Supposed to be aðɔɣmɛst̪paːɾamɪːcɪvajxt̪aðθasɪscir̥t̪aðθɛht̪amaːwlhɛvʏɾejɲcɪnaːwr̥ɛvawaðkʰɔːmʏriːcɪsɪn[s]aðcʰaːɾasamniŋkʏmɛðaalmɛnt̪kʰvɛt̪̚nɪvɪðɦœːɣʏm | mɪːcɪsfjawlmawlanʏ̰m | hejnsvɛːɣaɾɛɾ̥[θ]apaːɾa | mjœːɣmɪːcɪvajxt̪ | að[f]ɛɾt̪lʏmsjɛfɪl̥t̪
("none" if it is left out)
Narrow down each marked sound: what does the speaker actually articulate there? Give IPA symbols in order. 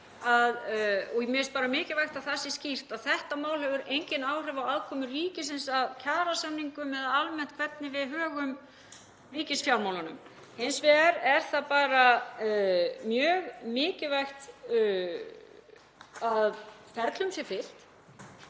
s, θ, f

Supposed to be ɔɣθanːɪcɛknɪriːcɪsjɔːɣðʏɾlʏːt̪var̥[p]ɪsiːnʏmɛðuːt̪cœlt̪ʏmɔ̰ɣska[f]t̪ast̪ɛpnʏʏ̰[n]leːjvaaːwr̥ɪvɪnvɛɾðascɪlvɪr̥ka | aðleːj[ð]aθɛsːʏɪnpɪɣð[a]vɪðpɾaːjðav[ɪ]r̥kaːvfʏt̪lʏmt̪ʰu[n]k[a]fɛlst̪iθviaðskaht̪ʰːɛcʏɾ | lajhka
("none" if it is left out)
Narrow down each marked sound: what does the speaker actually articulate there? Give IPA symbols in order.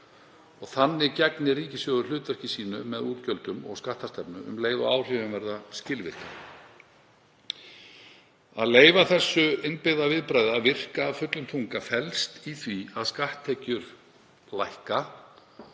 c, h, m, v, a, ɪ, ŋ, a

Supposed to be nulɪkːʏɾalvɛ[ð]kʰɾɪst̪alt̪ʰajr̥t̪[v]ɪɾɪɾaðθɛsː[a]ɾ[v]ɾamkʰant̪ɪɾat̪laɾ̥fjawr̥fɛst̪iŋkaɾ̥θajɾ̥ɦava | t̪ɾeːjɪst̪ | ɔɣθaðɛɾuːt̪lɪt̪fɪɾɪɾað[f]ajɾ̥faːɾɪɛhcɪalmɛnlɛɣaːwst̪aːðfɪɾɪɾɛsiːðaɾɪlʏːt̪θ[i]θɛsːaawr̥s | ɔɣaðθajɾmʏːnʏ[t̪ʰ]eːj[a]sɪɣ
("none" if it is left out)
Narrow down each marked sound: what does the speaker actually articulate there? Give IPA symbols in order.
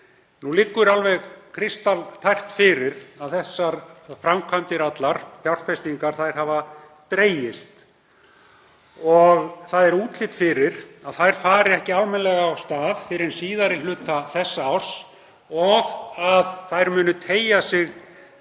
ɣ, f, a, f, θ, a, t̪ʰ, a

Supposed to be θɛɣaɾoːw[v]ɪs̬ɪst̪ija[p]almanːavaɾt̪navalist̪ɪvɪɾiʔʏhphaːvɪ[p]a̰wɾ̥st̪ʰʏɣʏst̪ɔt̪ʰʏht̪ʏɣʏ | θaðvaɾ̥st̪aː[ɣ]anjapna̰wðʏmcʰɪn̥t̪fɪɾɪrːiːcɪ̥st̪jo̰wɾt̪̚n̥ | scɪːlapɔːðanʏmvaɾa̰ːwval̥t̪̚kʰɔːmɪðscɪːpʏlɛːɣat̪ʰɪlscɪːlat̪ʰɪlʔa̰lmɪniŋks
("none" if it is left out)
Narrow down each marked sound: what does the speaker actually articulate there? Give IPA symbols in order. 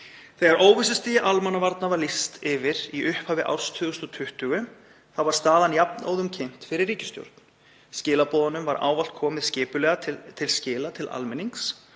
v, ʔ, ʔ, ð

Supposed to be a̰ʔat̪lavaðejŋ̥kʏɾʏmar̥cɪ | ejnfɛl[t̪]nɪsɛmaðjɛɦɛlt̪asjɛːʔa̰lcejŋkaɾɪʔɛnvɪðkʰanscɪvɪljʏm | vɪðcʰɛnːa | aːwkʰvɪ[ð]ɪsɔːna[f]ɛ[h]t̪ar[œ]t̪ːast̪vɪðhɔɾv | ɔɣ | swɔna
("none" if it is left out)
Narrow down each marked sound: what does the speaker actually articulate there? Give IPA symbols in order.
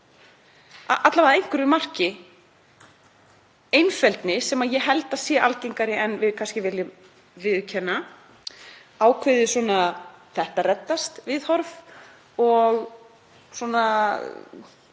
t̪, ð, θ, h, ɛ

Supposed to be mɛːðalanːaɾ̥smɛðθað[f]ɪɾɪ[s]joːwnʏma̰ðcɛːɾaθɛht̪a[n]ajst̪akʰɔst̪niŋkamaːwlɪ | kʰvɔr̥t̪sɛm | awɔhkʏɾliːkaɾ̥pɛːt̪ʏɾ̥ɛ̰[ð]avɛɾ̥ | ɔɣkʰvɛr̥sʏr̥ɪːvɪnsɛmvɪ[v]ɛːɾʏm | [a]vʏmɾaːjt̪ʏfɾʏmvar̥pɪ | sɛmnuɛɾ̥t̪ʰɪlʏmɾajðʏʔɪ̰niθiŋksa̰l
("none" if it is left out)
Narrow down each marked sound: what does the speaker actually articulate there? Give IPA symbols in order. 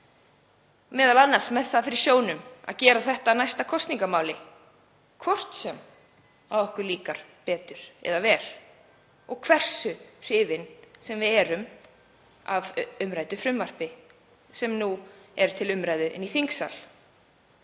f, s, n, ð, ð, a

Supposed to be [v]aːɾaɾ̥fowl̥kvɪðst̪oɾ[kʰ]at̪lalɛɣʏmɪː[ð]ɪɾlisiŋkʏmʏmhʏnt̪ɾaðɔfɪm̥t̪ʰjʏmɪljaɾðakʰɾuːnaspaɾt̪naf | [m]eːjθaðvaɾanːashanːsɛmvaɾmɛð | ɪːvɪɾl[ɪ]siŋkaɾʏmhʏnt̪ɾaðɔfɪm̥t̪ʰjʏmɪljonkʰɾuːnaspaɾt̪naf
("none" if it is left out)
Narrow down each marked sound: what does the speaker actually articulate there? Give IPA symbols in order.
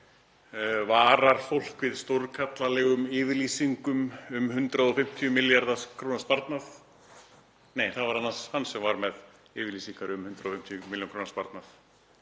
v, kʰ, v, n, i

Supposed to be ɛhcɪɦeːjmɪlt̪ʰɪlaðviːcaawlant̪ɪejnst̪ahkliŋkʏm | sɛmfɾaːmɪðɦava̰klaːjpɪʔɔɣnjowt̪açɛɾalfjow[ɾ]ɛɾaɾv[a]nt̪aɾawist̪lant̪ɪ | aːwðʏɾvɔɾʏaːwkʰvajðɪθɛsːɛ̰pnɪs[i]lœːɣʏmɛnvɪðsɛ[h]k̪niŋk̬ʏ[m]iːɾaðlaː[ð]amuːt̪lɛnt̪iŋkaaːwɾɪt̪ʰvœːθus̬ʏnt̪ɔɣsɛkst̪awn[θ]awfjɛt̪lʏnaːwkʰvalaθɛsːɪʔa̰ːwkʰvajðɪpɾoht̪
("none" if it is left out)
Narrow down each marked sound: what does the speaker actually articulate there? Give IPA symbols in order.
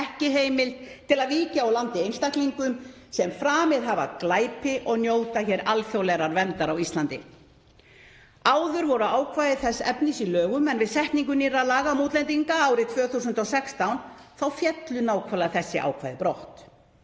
l, ɛ, i, h, n, ɣ, θ

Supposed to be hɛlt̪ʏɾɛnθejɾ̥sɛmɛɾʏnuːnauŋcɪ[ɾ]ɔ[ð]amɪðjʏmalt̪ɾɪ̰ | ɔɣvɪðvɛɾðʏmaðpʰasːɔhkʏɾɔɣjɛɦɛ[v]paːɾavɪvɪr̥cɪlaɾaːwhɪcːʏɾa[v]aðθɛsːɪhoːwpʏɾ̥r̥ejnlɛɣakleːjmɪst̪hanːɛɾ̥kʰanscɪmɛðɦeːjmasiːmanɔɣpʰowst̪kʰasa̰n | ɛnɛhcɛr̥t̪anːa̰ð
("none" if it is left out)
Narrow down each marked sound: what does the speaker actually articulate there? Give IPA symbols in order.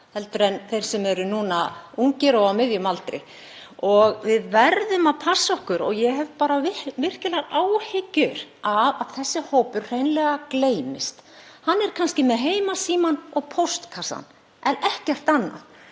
ɾ, ɣ, v, v

